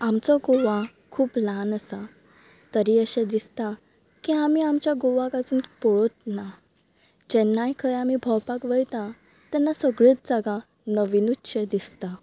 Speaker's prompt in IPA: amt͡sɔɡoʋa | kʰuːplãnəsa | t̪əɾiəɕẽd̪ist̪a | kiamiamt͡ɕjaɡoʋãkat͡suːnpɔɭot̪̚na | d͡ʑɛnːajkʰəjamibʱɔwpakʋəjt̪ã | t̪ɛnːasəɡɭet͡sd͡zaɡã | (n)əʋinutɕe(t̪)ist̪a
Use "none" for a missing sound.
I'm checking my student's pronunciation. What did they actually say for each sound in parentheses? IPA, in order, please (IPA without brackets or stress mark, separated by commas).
n, d̪